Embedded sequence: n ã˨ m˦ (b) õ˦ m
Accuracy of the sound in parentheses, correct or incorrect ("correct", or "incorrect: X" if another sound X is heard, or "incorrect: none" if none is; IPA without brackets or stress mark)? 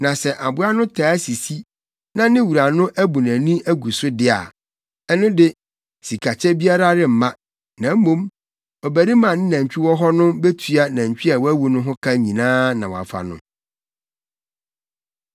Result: incorrect: m